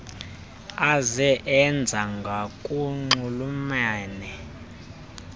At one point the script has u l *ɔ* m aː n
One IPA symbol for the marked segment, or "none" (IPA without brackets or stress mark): u